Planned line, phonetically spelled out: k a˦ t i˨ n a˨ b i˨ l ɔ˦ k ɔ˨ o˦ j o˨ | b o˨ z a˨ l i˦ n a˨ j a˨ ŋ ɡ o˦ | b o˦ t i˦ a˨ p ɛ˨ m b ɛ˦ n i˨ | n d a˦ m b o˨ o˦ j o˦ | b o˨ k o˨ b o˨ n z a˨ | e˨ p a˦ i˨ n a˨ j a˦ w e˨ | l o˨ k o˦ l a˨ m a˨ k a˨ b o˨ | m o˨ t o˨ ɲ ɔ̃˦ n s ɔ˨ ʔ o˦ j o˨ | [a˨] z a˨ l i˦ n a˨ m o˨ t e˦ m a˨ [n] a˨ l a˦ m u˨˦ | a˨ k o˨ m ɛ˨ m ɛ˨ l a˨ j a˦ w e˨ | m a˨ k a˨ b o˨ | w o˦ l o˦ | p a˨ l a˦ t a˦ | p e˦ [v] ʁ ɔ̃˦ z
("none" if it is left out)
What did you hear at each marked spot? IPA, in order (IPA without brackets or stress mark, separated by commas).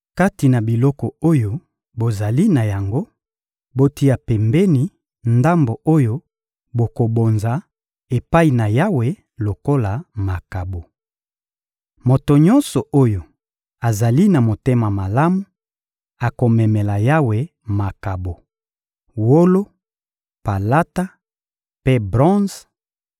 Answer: a˨, m, b